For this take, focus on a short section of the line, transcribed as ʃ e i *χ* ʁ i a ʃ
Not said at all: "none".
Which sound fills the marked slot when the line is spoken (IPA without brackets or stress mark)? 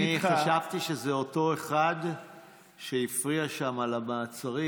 f